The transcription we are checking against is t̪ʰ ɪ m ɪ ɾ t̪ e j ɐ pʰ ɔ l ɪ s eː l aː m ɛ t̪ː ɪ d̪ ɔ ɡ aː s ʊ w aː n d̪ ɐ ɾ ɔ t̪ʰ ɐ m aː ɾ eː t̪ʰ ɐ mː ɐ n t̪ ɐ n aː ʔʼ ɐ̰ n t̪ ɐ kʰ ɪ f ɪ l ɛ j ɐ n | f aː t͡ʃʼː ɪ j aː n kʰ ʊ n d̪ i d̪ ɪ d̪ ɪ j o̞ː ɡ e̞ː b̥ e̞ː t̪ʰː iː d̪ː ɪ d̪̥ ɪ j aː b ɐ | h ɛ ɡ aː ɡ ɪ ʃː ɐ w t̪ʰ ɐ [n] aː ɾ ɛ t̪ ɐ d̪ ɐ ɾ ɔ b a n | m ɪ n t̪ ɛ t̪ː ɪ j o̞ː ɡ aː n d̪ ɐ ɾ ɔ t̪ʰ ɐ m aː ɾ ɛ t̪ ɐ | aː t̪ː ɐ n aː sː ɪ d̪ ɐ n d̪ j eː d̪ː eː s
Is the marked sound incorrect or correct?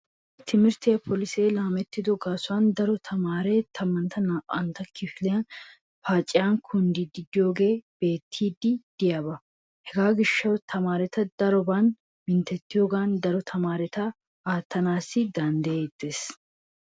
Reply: incorrect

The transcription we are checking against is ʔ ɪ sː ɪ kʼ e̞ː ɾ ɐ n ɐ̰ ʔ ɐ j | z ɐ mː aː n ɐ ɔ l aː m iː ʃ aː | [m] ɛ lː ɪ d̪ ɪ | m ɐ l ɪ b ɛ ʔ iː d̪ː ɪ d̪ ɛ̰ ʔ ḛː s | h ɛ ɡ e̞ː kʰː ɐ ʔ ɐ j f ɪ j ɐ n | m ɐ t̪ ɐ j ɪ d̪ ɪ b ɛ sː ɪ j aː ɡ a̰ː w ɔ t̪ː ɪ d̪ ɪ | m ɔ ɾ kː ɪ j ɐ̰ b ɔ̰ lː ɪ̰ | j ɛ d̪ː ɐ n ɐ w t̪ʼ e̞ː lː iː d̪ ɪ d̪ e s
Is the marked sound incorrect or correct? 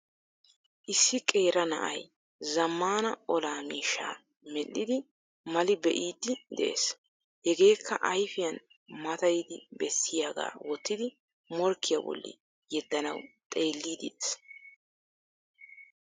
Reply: correct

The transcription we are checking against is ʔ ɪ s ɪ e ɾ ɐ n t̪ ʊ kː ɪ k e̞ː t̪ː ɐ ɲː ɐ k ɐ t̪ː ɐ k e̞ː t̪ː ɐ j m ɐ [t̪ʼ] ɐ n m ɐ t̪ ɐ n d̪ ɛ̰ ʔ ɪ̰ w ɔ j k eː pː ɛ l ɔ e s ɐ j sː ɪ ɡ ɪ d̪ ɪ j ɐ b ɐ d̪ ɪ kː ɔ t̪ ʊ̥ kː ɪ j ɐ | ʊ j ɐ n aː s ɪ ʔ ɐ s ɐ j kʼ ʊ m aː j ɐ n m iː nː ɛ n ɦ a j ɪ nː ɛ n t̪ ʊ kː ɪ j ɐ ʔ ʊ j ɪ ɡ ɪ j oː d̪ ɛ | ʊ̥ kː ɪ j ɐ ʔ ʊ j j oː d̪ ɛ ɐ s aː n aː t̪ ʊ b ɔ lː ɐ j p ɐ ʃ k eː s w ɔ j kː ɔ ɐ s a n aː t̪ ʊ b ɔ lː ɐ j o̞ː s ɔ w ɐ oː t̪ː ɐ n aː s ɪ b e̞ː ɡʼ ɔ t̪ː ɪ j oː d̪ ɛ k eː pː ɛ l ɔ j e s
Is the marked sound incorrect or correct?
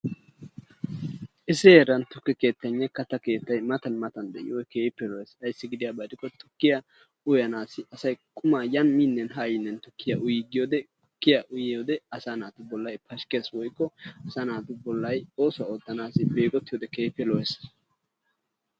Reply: incorrect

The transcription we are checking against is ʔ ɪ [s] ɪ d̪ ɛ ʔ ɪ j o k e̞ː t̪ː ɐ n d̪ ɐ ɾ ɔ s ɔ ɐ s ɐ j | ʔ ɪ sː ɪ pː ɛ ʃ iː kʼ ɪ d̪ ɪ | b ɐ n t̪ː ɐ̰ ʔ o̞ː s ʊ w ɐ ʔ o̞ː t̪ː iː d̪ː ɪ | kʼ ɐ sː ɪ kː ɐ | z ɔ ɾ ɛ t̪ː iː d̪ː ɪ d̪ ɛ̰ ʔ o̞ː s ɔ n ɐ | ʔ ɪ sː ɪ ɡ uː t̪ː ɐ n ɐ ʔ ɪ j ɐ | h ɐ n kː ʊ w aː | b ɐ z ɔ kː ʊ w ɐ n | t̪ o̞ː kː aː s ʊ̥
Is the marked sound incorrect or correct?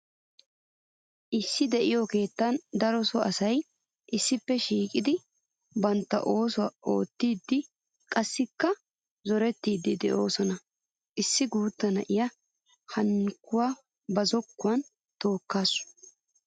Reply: incorrect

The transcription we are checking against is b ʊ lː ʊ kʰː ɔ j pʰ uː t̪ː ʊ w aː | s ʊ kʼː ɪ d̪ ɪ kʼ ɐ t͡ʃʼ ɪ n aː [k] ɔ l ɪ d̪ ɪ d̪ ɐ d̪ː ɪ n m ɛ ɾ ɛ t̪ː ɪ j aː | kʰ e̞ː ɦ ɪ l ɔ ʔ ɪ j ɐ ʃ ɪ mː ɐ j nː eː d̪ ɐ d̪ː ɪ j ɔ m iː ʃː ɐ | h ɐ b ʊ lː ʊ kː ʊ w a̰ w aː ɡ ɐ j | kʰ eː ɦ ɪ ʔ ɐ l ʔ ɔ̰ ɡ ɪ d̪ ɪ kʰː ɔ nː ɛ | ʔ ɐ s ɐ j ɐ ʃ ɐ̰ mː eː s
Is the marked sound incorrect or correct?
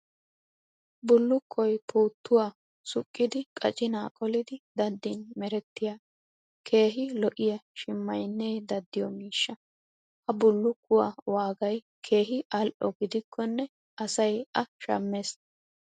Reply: incorrect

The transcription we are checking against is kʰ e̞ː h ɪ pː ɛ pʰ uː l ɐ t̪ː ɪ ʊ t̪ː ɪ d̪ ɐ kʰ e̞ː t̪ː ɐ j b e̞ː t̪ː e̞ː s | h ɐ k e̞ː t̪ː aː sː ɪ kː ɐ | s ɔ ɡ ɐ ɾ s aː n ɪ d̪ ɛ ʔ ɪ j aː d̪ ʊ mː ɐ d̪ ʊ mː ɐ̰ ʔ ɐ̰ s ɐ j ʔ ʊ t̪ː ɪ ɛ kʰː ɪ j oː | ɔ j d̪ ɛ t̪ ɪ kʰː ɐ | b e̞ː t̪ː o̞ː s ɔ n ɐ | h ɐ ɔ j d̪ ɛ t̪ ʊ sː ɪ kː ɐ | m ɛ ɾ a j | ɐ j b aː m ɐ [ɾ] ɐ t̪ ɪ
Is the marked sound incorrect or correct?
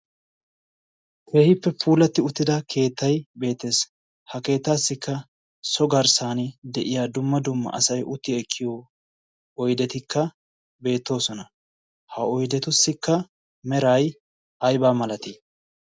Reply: incorrect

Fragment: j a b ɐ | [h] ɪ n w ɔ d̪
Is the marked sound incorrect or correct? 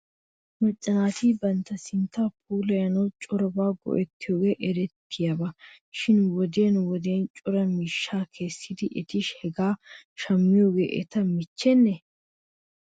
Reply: incorrect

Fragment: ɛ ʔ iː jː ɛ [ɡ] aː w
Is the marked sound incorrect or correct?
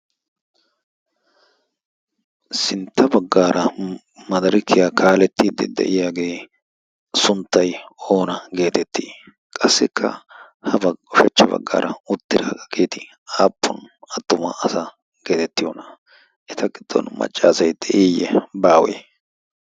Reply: incorrect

